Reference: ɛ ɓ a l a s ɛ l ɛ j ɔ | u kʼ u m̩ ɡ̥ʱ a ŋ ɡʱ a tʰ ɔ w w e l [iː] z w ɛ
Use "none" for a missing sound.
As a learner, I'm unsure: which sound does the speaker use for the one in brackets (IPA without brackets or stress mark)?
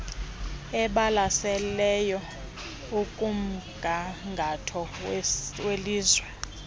iː